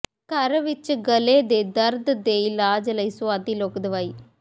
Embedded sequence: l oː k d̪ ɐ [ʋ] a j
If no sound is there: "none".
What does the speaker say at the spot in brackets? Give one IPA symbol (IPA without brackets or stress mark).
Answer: ʋ